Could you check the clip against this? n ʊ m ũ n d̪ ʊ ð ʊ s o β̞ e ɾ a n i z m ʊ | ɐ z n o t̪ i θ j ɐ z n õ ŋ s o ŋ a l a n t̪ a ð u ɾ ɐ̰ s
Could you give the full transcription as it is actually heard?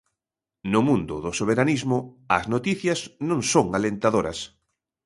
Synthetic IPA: n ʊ m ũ n d̪ ʊ ð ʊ s o β̞ e ɾ a n i z m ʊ | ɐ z n o t̪ i θ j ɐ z n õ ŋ s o ŋ a l e n t̪ a ð o ɾ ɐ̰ s